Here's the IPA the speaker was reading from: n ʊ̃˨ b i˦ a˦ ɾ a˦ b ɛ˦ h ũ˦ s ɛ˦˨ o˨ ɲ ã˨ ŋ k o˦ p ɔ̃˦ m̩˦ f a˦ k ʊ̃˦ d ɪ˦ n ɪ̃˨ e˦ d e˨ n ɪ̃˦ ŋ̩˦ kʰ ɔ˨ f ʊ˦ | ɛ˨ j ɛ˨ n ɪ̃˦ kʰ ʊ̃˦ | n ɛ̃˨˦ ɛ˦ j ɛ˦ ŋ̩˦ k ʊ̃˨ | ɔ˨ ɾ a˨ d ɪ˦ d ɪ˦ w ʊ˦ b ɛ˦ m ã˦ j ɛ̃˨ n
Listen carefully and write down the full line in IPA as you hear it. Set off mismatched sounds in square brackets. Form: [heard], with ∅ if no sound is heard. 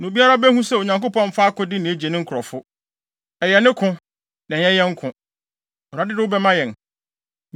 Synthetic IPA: n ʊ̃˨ b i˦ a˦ ɾ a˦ b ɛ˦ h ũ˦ s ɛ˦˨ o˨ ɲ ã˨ ŋ k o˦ p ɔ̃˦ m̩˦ f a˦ k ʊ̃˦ d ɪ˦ n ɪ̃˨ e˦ [d͡ʑ] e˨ n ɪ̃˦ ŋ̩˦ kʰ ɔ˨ f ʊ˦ | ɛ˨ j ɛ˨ n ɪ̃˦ kʰ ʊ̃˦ | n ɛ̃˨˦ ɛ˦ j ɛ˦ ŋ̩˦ [kʰ] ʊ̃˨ | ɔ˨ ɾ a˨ d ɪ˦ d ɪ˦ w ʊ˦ b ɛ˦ m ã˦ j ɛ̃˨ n